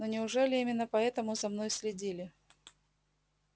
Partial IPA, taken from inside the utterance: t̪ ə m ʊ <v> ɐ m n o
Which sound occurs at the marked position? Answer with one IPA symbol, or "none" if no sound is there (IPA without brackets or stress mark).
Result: z